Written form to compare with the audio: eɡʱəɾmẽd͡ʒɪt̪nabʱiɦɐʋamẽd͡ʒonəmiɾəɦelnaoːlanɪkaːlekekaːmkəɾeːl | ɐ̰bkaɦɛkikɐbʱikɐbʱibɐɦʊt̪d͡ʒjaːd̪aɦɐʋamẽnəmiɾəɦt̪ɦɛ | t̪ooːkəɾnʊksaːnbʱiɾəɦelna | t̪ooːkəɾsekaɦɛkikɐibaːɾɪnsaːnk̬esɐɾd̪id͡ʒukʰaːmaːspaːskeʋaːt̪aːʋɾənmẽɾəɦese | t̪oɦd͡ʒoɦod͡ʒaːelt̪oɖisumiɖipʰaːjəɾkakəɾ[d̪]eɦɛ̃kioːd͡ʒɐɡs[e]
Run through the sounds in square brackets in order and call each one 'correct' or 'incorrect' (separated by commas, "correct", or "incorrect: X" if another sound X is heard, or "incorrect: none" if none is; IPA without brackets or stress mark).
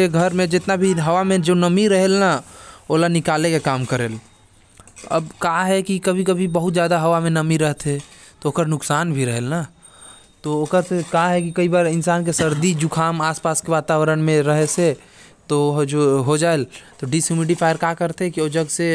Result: incorrect: t̪, correct